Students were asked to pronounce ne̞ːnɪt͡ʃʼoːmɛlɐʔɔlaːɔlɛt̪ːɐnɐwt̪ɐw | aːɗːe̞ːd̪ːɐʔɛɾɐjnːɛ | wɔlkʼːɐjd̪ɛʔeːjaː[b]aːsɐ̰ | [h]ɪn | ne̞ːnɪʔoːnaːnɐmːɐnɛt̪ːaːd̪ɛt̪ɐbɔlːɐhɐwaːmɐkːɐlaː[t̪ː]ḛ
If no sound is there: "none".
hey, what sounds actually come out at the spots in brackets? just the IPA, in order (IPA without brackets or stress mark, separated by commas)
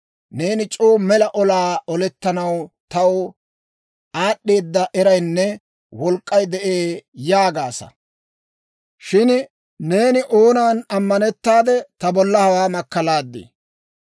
ɡ, ʃ, d̪ː